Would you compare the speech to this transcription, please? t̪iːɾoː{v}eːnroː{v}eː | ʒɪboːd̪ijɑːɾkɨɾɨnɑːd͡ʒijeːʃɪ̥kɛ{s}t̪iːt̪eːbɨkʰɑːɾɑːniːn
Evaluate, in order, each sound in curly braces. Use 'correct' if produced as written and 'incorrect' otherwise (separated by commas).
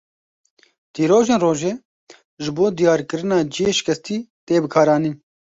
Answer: incorrect, incorrect, correct